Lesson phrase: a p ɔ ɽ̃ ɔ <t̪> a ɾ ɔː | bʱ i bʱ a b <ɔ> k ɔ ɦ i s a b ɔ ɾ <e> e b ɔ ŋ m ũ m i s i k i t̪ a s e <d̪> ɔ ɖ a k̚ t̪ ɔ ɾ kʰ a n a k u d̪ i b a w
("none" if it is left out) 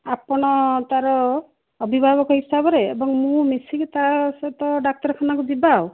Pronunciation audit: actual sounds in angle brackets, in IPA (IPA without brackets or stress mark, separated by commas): t̪, ɔ, e, t̪